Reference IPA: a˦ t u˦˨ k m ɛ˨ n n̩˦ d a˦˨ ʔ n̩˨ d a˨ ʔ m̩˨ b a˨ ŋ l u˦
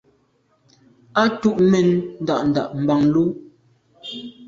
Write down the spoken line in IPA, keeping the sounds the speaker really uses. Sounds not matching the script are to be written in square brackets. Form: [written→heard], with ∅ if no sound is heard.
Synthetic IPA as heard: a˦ t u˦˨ [k→ʔ] m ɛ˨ n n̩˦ d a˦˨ ʔ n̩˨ d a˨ ʔ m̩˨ b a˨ ŋ l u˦